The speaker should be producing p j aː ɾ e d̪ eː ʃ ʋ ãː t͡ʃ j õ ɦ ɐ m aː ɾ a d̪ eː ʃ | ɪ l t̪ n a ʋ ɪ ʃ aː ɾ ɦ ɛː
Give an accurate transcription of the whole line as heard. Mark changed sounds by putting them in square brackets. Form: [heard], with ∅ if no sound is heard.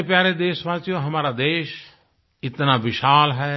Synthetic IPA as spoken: p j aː ɾ e d̪ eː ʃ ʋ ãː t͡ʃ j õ ɦ ɐ m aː ɾ a d̪ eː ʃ | ɪ [∅] t̪ n a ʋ ɪ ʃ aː [l] ɦ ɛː